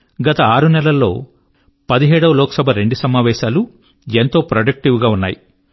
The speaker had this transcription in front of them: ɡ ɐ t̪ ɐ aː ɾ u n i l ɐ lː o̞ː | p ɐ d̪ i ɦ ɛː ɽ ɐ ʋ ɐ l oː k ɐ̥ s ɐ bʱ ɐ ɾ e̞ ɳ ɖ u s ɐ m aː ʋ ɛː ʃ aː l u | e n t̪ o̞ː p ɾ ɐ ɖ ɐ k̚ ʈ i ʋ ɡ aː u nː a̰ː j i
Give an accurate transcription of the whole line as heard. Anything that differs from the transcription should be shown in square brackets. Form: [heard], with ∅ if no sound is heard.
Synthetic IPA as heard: ɡ ɐ t̪ ɐ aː ɾ u n [ɛ] l ɐ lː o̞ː | p ɐ d̪ i ɦ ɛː ɽ ɐ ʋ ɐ l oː k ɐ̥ s ɐ bʱ ɐ ɾ e̞ ɳ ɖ u s ɐ m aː ʋ ɛː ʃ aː l u | e n t̪ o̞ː p ɾ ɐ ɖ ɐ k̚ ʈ i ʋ ɡ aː u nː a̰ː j i